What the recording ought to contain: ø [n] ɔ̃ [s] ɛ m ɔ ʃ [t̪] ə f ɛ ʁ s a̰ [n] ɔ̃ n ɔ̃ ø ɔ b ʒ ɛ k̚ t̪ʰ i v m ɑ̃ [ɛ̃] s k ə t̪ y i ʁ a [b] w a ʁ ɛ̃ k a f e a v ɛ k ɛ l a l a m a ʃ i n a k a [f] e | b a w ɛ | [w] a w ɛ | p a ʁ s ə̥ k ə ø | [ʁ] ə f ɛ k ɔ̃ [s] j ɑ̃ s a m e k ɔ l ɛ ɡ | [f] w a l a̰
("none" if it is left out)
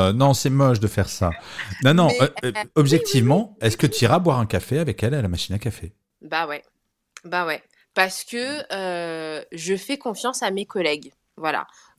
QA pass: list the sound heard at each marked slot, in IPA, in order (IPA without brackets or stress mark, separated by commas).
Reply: n, s, d̪, n, ɛ, b, f, b, ʒ, f, v